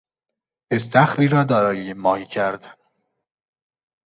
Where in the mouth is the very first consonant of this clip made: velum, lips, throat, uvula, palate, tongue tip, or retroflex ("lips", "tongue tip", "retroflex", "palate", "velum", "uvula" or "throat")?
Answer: tongue tip